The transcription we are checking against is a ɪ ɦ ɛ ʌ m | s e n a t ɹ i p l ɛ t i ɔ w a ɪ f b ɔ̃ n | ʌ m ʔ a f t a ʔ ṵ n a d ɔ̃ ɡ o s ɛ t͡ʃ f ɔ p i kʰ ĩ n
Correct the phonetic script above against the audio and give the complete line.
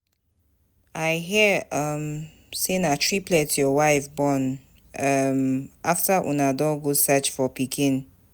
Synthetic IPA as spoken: a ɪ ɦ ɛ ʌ m | s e n a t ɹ i p l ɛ t j ɔ w a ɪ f b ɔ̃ n | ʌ m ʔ a f t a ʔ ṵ n a d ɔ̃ ɡ o s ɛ t͡ʃ f ɔ p i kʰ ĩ n